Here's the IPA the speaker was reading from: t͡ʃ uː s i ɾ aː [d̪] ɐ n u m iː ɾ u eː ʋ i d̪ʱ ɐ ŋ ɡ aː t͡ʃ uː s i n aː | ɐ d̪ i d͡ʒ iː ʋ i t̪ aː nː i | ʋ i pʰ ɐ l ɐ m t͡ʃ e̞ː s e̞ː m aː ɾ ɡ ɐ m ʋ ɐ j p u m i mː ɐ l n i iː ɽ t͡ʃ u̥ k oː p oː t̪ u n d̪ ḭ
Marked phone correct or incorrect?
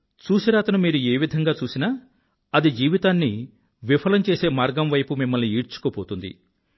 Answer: incorrect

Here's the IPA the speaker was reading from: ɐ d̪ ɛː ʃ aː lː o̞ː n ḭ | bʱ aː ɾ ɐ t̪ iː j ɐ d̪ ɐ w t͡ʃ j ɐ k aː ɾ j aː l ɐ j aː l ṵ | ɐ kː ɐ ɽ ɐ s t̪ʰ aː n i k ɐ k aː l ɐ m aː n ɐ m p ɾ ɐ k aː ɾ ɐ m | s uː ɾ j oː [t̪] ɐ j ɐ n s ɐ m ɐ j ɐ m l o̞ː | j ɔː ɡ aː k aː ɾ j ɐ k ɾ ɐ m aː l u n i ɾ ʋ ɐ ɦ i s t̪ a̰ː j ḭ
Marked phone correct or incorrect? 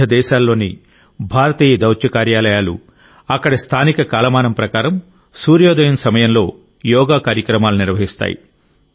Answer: incorrect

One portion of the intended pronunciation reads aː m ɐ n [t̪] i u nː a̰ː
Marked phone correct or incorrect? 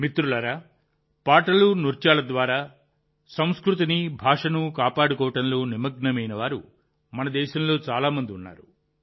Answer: incorrect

